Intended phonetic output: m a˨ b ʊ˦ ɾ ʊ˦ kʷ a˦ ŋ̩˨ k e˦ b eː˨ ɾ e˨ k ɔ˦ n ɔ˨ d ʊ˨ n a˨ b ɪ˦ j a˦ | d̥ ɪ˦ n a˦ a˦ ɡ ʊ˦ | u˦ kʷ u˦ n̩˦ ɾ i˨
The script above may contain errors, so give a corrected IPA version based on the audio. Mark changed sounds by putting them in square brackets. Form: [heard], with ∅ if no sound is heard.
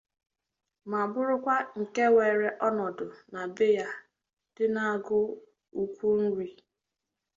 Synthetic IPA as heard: m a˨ b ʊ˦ ɾ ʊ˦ kʷ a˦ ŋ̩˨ k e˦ [w] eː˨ ɾ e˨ [ʔ] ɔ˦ n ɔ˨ d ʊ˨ n a˨ b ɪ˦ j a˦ | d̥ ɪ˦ n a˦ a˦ ɡ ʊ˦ | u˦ kʷ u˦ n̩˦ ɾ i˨